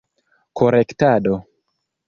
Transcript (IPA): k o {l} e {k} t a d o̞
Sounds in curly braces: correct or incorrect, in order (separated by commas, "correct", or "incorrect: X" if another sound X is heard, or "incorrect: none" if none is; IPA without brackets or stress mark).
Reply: incorrect: ɾ, correct